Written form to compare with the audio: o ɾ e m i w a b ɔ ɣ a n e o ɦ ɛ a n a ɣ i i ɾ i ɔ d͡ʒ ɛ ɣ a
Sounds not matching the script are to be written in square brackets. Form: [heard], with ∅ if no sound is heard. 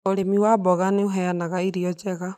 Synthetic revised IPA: o ɾ e m i w a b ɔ ɣ a n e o ɦ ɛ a n a ɣ [a] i ɾ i ɔ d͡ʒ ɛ ɣ a